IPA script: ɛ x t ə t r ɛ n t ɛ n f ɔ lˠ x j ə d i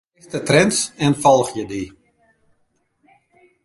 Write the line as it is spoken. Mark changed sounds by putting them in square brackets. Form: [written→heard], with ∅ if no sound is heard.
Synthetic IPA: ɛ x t ə t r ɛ n [t→s] ɛ n f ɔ lˠ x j ə d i